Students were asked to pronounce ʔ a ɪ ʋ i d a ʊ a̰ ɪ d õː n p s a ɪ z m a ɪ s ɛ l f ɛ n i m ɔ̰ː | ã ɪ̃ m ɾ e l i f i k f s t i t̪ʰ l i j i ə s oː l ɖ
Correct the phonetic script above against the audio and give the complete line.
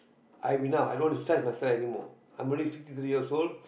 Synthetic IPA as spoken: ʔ a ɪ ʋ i n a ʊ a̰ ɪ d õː n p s a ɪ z m a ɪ s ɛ l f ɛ n i m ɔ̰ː | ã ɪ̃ m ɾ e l i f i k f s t i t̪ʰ ɾ i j i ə s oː l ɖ

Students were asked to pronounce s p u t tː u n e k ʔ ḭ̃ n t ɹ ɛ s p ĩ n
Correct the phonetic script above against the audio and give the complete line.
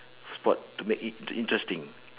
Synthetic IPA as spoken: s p ɔ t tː u m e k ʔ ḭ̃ n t ɹ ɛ s t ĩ ŋ

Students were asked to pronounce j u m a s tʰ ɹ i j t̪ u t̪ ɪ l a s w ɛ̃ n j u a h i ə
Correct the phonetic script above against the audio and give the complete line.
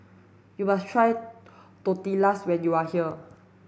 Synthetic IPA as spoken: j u m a s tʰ ɹ a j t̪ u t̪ i l a s w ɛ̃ n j u a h i ə

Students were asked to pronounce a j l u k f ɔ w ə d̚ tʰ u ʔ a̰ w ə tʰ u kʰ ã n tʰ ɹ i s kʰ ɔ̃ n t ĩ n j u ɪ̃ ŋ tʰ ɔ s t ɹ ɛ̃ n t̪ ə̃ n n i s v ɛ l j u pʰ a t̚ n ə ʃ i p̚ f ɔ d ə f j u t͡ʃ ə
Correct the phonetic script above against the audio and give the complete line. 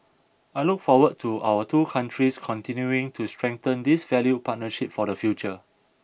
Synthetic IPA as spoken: a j l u k f ɔ w ə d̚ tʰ u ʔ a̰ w ə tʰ u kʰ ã n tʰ ɹ i s kʰ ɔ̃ n t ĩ n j u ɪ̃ ŋ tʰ u s t ɹ ɛ̃ ŋ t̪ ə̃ n d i s v ɛ l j u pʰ a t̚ n ə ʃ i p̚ f ɔ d ə f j u t͡ʃ ə

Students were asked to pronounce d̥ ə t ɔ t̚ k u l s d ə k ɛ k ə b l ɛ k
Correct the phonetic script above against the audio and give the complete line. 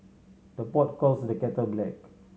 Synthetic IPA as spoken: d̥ ə p ɔ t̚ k ɔ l s d ə k ɛ t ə b l ɛ k

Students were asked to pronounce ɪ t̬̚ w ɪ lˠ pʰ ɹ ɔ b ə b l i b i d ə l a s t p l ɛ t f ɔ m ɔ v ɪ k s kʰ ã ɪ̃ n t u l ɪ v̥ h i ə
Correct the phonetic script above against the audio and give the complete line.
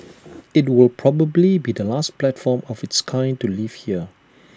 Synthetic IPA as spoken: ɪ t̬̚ w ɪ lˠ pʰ ɹ ɔ b ə b l i b i d ə l a s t p l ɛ t f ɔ m ɔ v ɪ t s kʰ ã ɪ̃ n t u l i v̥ h i ə

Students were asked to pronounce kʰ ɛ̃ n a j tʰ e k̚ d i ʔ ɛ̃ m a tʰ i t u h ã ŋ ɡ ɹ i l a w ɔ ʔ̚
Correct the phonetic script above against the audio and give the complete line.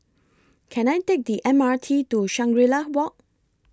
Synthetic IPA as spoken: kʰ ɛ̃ n a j t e k̚ d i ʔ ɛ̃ m a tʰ i t u ʃ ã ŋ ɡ ɹ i l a w ɔ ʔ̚

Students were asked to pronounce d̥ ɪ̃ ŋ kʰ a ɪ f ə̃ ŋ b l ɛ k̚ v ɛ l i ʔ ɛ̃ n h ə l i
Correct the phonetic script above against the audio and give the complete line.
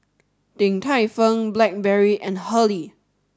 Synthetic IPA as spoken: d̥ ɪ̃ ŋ tʰ a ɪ f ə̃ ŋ b l ɛ k̚ b ɛ ɹ i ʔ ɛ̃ n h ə l i

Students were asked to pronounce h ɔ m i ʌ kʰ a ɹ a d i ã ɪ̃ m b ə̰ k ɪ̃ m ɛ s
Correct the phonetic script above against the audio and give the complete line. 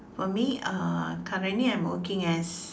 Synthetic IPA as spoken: f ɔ m i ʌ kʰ a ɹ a n i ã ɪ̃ m w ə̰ k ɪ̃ ŋ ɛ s

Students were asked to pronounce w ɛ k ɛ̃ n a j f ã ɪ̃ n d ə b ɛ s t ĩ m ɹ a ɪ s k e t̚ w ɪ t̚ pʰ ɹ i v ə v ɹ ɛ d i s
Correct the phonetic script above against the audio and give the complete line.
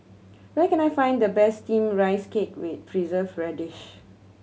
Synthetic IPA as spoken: w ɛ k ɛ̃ n a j f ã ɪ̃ n d ə b ɛ s t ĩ m ɹ a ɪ s k e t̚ w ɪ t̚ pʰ ɹ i z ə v ɹ ɛ d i ʃ

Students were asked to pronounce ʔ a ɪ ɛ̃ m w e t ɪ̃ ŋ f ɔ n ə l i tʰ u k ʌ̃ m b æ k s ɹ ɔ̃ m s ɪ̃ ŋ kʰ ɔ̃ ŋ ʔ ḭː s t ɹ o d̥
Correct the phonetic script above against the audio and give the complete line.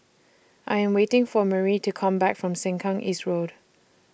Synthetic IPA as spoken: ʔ a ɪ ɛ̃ m w e t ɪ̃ ŋ f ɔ m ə ɹ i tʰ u kʰ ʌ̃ m b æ k f ɹ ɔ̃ m s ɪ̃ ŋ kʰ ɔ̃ ŋ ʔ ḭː s t ɹ o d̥

